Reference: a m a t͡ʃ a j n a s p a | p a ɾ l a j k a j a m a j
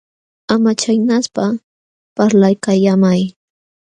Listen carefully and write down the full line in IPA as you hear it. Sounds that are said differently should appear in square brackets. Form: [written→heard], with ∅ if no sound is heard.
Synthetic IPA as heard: a m a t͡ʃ a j n a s p a | p a ɾ l a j k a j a m a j